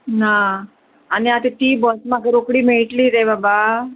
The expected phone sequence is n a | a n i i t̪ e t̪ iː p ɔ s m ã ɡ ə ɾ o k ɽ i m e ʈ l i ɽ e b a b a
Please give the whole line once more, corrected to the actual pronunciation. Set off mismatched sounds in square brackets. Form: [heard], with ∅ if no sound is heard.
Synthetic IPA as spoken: n a | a n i [a] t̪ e t̪ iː [b] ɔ s m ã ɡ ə ɾ o k ɽ i m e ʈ l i [ɾ] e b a b a